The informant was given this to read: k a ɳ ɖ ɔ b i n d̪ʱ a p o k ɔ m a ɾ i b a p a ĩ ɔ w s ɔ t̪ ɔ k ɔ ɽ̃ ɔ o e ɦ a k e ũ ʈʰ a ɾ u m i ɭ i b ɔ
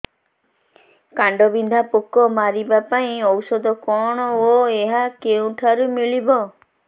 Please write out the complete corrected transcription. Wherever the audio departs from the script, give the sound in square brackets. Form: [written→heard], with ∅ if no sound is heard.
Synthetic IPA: k a ɳ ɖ ɔ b i n d̪ʱ a p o k ɔ m a ɾ i b a p a ĩ ɔ w s ɔ [t̪→d̪] ɔ k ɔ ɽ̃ ɔ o e ɦ a k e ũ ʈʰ a ɾ u m i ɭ i b ɔ